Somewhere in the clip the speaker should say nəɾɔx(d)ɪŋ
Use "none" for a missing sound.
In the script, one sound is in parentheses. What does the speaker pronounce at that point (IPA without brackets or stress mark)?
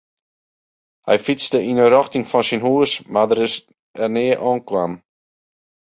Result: t